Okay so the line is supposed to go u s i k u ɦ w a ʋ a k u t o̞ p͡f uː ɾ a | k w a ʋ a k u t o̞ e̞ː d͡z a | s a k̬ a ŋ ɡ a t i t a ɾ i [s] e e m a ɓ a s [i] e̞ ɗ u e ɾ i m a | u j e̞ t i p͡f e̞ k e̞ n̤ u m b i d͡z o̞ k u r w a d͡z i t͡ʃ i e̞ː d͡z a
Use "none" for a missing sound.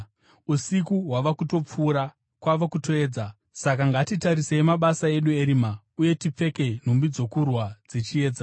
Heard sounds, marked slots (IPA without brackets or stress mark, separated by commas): s, a